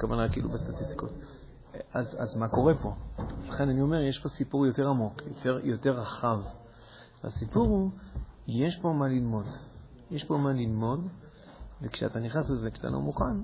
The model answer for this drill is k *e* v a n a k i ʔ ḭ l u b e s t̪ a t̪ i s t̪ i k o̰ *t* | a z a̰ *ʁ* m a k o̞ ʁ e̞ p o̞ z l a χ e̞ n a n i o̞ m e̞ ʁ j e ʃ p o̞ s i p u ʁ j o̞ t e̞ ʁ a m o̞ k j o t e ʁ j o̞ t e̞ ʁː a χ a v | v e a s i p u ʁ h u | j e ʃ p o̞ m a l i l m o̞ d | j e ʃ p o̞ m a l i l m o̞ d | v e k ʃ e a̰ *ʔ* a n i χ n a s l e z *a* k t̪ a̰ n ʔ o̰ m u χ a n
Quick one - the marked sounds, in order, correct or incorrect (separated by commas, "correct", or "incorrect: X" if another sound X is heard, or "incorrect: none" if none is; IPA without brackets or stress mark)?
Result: incorrect: a, correct, incorrect: z, incorrect: t, incorrect: e